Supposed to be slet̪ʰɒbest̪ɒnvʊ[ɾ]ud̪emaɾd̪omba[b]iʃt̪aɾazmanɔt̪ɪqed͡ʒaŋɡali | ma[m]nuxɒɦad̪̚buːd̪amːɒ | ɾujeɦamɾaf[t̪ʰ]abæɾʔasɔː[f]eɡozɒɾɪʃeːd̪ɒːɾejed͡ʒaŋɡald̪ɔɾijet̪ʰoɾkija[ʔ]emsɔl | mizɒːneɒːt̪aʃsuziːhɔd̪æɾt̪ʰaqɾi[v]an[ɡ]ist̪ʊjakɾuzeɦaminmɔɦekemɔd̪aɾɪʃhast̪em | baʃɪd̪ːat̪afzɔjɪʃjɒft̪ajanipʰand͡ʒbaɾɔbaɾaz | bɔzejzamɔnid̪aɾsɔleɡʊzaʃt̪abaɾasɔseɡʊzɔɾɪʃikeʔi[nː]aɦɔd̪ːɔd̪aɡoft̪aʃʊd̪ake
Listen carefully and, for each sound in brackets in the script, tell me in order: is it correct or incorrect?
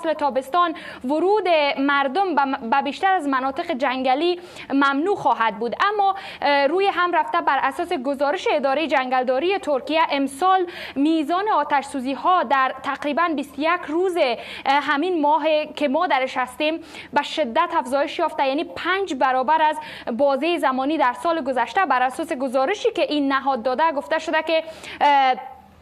correct, correct, correct, incorrect, incorrect, correct, incorrect, incorrect, correct

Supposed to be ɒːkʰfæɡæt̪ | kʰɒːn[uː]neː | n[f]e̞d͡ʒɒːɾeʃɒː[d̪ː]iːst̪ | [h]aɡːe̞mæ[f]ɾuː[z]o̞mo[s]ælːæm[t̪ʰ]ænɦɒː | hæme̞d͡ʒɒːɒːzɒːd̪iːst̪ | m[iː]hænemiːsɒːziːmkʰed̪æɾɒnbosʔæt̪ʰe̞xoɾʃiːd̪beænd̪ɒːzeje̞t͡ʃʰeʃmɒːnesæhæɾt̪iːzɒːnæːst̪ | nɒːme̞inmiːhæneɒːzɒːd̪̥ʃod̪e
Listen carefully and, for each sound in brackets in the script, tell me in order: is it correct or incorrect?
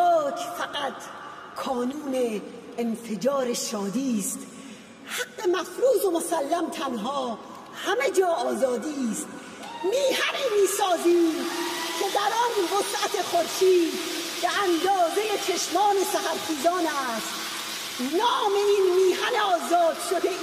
correct, correct, incorrect, correct, correct, correct, correct, correct, correct

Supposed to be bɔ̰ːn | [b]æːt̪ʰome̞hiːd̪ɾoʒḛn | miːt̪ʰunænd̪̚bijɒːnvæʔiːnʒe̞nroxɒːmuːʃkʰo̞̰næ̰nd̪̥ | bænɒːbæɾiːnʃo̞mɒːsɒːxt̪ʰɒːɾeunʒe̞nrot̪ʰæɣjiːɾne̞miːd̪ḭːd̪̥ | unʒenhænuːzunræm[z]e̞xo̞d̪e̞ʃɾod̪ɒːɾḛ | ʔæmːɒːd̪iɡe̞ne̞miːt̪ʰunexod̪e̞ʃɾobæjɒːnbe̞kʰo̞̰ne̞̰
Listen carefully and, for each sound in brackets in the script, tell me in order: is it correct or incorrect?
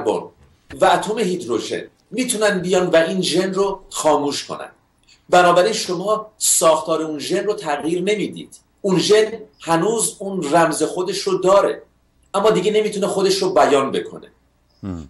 incorrect, correct

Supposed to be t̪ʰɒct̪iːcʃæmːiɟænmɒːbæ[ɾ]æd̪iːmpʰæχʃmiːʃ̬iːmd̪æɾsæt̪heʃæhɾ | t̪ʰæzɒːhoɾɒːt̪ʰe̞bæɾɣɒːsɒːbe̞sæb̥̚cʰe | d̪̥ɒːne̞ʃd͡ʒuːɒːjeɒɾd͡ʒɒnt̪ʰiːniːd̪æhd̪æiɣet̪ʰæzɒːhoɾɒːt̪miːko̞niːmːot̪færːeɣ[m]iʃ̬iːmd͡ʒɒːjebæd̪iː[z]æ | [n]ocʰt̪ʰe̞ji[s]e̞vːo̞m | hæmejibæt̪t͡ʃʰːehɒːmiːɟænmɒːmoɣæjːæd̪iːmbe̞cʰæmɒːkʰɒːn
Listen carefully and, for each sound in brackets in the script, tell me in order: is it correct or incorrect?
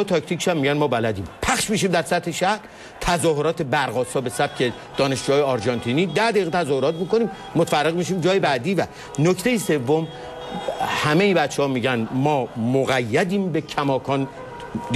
incorrect, correct, incorrect, correct, correct

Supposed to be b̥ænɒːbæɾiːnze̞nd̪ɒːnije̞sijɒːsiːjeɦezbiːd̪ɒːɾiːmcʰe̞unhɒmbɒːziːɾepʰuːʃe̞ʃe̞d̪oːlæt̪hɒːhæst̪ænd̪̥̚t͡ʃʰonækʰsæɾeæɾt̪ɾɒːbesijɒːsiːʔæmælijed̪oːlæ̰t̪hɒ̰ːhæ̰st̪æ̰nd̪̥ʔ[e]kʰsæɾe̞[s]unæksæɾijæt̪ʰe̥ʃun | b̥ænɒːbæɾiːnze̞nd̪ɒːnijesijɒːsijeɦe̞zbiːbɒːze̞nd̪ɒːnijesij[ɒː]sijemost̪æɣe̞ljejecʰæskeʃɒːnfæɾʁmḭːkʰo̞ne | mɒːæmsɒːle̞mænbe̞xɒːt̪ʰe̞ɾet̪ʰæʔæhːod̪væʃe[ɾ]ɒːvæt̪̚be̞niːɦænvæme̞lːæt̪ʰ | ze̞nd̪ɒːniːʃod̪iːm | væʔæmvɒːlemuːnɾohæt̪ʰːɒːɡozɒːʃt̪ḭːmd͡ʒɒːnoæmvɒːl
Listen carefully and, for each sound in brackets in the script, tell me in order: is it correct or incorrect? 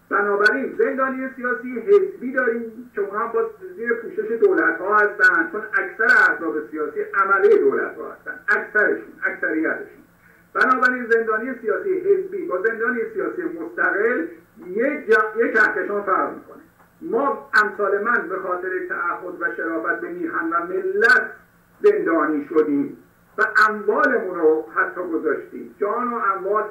incorrect, incorrect, correct, correct

